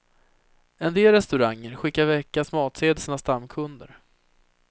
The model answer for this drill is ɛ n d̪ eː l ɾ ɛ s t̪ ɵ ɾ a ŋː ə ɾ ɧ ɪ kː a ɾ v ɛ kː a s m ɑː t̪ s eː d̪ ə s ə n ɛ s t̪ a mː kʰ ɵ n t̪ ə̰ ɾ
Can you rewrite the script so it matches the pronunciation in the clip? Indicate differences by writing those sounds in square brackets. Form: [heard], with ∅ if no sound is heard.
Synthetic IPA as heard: ɛ n d̪ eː l ɾ ɛ s t̪ ɵ ɾ a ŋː ə ɾ ɧ ɪ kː a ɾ v ɛ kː a s m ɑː t̪ s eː d̪ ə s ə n [a] s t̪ a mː kʰ ɵ n [d̪] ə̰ ɾ